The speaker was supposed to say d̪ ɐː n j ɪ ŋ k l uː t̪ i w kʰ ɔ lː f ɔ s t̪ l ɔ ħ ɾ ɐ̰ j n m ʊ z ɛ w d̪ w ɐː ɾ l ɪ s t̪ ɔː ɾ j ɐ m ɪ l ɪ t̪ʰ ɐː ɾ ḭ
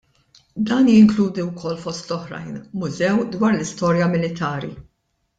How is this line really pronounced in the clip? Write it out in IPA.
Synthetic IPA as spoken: d̪ ɐː n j ɪ ŋ k l uː d̪ i w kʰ ɔ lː f ɔ s t̪ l ɔ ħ ɾ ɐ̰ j n m ʊ z ɛ w d̪ w ɐː ɾ l ɪ s t̪ ɔː ɾ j ɐ m ɪ l ɪ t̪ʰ ɐː ɾ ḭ